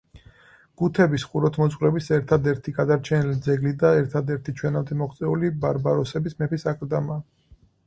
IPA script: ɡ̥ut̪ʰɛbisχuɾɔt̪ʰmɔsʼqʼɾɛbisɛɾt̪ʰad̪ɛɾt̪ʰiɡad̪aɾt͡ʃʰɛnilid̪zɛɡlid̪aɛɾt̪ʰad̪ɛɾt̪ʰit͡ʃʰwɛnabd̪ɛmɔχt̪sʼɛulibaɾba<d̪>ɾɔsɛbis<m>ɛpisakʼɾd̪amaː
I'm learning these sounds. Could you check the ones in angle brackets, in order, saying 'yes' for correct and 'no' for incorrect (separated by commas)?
no, yes